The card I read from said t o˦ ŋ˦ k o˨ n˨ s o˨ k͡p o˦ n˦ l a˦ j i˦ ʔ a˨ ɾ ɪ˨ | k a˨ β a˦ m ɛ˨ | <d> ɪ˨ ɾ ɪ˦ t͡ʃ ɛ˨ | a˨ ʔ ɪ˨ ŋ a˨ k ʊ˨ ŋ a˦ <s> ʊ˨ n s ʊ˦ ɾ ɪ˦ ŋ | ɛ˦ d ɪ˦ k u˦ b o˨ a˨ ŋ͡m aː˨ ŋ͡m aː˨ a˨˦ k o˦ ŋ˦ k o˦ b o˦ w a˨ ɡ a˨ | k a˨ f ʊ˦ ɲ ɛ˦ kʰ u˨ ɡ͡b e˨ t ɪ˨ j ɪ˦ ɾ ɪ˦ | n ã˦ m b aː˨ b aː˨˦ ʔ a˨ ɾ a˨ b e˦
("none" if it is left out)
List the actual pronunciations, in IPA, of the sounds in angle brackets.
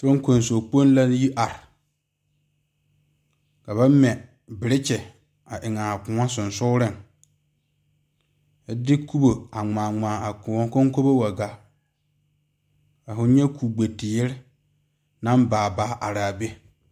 b, s

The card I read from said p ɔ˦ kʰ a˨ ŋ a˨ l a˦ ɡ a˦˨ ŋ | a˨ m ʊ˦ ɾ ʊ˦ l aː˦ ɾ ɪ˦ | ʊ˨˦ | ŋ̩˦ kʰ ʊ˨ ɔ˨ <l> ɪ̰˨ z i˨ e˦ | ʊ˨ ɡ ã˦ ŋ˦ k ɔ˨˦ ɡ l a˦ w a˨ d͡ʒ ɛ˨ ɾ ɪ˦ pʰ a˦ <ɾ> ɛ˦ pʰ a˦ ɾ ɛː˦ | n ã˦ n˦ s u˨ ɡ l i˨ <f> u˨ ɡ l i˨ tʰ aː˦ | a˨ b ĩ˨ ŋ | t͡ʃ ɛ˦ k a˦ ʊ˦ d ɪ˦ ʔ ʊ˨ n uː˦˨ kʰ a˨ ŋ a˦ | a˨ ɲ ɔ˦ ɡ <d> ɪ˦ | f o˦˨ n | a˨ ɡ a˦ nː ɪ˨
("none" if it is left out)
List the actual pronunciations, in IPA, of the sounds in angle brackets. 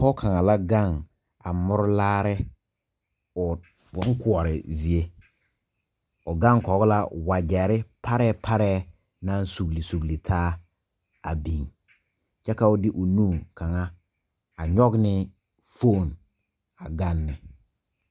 ɾ, ɾ, s, n

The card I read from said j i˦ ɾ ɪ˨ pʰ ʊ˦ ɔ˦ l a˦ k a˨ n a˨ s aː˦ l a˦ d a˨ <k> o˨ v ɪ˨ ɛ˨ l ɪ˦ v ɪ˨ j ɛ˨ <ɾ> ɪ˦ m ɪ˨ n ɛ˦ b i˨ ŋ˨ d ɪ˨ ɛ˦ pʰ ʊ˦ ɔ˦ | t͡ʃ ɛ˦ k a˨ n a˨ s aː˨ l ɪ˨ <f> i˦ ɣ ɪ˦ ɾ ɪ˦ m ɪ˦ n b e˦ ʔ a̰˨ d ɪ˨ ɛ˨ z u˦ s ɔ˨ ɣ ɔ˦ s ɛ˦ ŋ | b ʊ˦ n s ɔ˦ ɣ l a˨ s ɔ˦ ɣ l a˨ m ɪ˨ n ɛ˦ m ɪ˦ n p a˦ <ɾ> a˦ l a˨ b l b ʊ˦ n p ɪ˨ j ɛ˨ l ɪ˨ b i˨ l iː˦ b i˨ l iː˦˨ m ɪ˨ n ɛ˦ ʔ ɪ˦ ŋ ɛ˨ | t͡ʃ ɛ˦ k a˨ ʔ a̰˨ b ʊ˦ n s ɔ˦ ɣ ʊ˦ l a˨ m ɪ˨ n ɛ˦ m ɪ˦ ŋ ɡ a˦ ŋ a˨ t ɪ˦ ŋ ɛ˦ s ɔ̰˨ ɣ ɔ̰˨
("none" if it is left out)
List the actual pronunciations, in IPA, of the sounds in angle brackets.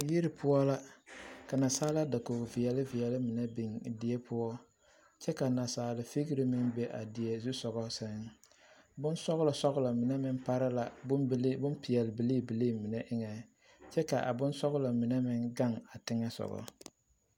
k, l, f, ɾ

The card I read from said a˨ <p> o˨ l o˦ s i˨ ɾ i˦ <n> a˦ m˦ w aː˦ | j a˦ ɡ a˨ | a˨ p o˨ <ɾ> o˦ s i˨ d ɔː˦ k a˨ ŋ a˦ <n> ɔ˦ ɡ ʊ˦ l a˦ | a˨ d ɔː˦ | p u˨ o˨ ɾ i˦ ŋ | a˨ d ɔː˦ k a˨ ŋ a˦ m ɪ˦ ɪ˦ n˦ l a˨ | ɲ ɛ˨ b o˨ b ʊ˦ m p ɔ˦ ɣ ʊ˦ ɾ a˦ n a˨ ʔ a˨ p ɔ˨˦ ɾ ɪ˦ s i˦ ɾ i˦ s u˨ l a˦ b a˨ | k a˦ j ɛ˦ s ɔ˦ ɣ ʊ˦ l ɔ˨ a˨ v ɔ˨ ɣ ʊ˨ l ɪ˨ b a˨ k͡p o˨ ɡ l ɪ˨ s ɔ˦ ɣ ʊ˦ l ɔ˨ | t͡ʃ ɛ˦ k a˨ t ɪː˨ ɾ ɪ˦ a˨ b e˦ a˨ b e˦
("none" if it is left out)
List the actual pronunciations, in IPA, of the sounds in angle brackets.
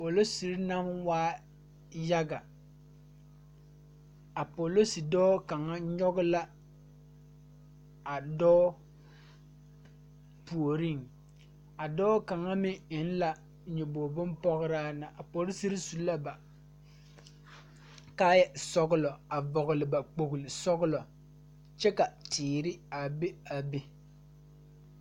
p, n, l, ɲ

